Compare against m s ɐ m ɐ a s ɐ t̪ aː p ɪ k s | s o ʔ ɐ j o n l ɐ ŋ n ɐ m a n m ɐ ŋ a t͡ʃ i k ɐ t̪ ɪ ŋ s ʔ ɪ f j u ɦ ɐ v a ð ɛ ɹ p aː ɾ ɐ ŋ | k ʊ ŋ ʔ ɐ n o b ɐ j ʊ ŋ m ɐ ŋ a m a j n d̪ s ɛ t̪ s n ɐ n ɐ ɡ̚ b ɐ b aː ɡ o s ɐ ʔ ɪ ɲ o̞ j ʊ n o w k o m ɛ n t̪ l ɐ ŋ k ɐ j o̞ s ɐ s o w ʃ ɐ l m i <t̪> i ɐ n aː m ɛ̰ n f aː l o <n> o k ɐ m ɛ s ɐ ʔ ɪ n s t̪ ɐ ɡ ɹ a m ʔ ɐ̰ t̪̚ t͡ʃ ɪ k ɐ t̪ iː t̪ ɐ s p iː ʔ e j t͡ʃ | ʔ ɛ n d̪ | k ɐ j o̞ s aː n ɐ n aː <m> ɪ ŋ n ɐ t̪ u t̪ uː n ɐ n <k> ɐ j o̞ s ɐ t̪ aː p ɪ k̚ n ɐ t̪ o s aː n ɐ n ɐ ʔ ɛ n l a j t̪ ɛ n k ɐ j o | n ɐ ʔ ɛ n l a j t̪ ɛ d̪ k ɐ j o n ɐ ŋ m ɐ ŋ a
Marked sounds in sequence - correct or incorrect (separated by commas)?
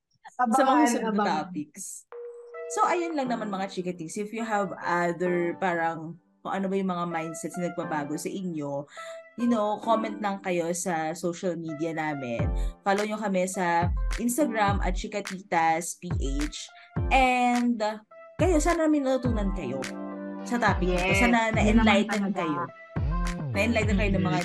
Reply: incorrect, incorrect, correct, correct